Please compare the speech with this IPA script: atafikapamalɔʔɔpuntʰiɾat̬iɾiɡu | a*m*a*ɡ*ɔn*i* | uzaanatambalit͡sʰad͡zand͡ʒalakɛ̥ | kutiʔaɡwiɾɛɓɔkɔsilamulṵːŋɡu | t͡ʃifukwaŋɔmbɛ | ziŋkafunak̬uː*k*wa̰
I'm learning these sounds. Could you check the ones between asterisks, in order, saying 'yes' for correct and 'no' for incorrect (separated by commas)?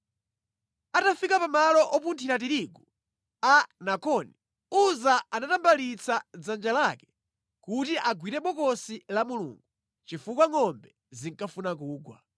no, no, yes, no